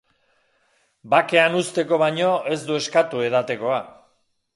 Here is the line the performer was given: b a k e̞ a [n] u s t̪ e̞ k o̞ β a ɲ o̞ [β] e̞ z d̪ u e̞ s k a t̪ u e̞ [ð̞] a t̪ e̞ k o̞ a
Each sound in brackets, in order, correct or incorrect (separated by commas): correct, incorrect, correct